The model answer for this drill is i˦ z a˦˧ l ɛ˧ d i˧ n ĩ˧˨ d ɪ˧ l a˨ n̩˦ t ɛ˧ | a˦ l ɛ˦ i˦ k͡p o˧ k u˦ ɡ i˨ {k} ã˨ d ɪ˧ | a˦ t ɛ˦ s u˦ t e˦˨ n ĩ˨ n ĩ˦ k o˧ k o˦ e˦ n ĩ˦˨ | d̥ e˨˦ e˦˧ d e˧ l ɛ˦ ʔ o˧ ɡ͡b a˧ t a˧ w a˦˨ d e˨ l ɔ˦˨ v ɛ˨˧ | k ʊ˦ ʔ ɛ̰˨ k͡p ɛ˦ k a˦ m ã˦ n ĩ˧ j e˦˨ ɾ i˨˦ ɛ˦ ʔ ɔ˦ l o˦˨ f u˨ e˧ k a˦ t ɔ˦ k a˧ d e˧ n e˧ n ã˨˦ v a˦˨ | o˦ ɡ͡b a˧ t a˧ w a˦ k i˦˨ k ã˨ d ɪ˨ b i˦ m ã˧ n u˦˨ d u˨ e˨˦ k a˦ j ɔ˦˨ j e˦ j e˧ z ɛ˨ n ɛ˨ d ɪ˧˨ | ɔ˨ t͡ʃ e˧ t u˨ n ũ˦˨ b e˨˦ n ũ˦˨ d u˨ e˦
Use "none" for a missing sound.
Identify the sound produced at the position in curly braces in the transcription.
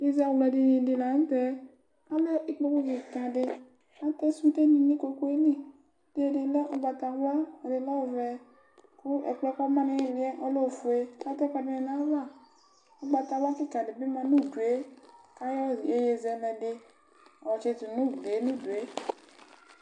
k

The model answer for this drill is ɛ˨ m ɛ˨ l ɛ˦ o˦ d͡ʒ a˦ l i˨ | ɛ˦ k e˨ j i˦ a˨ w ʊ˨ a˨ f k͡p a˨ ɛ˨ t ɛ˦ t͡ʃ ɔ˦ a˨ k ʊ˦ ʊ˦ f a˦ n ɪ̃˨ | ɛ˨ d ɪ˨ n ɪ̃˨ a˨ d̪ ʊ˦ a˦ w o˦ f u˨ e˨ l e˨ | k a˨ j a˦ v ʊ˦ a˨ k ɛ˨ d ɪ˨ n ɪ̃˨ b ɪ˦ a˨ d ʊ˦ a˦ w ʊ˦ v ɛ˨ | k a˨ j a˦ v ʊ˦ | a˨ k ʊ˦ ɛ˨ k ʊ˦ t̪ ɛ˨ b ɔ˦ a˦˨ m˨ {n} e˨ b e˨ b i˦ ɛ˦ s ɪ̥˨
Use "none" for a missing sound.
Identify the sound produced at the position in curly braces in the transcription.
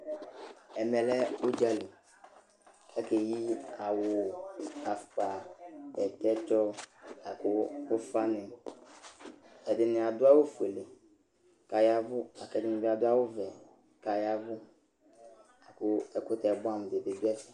d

